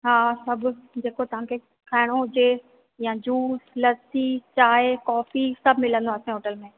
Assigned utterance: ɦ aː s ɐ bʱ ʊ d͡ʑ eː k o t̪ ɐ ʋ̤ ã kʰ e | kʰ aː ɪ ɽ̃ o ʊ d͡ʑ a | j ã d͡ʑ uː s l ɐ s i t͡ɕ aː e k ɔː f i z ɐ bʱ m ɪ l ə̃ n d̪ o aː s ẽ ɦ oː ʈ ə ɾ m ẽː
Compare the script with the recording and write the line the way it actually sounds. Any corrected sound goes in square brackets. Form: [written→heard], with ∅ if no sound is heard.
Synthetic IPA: ɦ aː s ɐ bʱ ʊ d͡ʑ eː k o t̪ ɐ ʋ̤ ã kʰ e | kʰ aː ɪ ɽ̃ o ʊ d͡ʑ [a→e] | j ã d͡ʑ uː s l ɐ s i t͡ɕ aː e k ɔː f i [z→s] ɐ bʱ m ɪ l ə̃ n d̪ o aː s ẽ ɦ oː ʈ ə [ɾ→l] m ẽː